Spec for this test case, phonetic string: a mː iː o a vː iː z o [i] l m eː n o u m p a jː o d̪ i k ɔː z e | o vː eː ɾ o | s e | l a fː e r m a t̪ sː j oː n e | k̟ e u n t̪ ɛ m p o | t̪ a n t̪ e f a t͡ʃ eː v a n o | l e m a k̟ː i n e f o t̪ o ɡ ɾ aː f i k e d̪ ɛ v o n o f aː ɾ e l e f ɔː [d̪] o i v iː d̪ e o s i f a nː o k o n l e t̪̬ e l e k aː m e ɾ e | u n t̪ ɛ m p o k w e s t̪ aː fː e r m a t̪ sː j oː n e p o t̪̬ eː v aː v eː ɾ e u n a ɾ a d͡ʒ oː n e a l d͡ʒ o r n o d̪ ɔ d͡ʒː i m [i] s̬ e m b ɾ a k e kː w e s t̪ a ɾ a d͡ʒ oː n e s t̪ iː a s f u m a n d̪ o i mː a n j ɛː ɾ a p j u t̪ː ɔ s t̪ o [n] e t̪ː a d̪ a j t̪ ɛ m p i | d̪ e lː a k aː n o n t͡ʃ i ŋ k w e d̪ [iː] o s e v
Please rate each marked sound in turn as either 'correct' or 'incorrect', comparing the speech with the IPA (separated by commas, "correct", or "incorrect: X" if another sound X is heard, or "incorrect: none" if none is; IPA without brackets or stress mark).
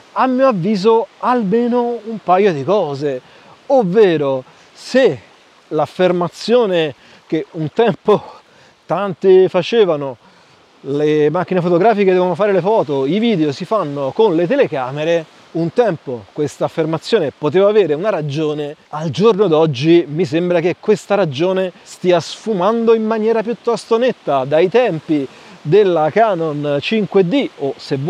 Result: incorrect: a, incorrect: t̪, correct, correct, incorrect: i